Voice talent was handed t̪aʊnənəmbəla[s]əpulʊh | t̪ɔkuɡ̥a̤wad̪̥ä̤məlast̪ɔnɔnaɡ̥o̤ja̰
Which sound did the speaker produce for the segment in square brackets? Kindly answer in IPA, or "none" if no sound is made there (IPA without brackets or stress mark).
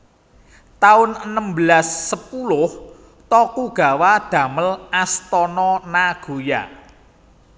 sː